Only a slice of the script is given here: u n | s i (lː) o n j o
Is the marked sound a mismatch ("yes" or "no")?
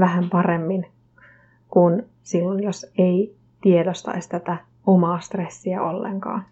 no